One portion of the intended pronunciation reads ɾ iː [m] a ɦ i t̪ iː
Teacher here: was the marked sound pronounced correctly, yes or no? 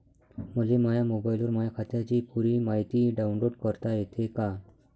yes